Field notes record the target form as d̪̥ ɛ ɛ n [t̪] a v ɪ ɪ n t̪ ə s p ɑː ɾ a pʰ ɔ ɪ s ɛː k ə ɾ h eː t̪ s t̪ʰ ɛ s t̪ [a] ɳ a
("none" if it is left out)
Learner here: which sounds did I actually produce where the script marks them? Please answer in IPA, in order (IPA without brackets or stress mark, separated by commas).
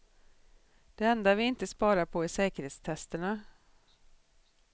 d̪, ə